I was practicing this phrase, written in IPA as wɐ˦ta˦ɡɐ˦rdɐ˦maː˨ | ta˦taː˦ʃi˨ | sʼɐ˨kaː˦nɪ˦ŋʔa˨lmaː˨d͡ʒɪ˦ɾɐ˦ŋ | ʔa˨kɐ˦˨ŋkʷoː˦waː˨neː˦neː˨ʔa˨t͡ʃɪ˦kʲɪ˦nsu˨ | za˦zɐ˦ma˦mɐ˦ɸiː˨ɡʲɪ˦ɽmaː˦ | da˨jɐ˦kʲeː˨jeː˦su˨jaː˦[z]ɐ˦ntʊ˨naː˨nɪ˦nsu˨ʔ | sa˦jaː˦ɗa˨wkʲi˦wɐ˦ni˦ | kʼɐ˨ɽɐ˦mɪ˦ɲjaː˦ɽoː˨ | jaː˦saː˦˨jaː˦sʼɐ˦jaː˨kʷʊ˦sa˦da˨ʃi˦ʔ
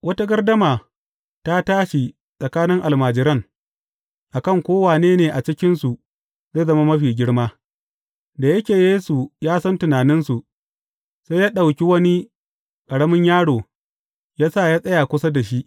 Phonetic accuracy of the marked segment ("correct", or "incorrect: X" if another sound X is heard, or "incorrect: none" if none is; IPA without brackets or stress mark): incorrect: s